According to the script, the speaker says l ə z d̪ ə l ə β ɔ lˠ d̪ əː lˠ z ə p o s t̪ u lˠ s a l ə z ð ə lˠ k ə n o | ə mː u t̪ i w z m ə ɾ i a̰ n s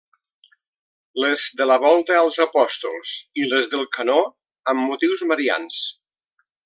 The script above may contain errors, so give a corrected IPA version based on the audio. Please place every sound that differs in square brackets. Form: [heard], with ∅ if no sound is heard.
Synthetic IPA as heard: l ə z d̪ ə l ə β ɔ lˠ [t̪] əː lˠ z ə p [ɔ] s t̪ u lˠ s [i] l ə z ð ə lˠ k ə n o | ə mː u t̪ i w z m ə ɾ i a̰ n s